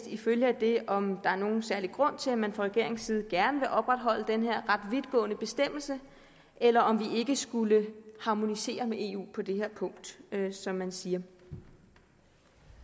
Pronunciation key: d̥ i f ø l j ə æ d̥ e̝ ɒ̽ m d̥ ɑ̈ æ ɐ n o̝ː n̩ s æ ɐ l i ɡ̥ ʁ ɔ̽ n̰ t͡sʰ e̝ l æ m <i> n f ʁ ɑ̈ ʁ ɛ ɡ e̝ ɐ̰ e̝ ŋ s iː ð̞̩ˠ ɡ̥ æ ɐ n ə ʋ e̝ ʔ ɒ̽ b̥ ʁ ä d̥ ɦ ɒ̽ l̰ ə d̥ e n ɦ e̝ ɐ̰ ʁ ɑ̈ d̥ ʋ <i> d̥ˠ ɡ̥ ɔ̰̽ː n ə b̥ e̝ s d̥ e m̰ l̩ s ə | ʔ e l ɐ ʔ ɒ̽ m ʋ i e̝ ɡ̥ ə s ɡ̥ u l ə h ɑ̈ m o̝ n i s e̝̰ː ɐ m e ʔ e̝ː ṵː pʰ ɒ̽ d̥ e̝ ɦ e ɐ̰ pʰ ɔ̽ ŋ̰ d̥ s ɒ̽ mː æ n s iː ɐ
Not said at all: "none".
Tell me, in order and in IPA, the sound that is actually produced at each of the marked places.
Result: æ, i

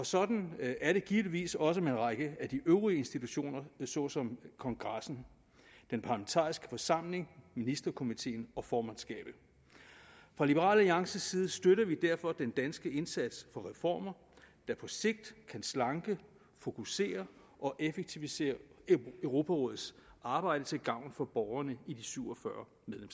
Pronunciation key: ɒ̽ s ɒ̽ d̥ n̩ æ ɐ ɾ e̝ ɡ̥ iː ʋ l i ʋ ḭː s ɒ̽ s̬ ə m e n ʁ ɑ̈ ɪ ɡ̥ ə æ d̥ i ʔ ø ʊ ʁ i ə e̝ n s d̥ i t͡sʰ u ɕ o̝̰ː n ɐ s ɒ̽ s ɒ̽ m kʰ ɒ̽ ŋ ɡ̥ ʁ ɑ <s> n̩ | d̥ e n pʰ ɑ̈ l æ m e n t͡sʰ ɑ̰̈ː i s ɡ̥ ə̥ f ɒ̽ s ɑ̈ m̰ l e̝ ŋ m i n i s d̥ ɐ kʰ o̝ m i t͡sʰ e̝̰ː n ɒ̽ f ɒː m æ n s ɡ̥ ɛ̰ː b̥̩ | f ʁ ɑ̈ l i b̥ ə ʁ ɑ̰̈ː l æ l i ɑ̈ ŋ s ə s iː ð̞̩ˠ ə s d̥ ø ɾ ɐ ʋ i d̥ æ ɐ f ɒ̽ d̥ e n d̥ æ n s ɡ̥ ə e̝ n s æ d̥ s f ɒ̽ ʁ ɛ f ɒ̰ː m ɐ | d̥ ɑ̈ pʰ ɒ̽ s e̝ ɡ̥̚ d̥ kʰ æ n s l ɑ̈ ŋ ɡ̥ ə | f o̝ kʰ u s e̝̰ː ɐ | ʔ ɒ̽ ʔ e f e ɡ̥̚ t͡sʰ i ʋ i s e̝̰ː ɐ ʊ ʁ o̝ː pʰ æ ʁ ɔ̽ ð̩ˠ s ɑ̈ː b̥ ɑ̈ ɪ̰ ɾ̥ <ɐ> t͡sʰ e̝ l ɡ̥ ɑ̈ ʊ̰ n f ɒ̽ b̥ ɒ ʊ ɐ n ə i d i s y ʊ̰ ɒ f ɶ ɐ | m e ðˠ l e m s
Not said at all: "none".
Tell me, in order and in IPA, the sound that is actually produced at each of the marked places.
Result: s, ə

